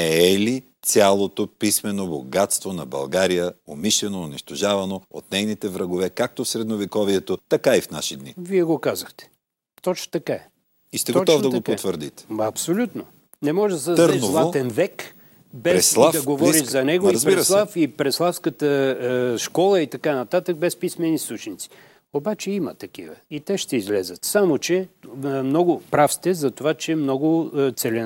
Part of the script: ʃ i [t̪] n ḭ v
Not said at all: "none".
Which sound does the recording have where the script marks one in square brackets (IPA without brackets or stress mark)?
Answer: d̪